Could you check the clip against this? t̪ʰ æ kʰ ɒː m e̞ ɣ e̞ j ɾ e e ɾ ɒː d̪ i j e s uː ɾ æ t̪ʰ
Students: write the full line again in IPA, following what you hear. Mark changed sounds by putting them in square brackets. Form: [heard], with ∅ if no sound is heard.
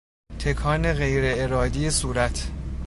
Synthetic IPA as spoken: t̪ʰ [e] kʰ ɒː [n] e̞ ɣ e̞ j ɾ e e ɾ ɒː d̪ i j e s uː ɾ æ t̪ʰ